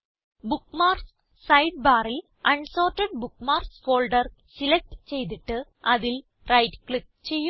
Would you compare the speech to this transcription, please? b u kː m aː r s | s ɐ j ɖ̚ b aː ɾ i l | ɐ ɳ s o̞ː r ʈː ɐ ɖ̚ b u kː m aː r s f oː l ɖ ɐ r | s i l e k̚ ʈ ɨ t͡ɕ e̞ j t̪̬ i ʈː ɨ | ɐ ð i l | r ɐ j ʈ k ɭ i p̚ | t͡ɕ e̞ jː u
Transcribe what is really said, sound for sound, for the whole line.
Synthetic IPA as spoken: b u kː m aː r s | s ɐ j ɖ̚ b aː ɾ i l | ɐ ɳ s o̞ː r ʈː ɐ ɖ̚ b u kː m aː r s f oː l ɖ ɐ r | s i l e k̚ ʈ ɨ t͡ɕ e̞ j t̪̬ i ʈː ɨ | ɐ ð i l | r ɐ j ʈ k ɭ i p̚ | t͡ɕ e̞ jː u